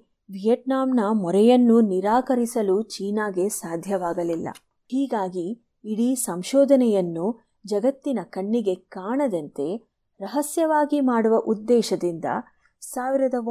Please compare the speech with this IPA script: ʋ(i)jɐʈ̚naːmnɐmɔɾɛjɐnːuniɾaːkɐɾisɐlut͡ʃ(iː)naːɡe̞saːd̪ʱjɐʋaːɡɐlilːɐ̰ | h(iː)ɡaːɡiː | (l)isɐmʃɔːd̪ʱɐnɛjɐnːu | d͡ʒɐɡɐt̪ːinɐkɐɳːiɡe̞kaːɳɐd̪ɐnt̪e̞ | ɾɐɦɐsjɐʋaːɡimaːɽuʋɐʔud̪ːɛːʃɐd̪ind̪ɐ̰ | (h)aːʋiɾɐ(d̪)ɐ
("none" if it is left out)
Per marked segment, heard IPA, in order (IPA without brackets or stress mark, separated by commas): i, iː, iː, ɽ, s, d̪